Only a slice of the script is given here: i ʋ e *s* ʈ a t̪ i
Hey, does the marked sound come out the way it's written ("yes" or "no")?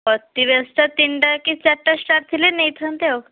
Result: yes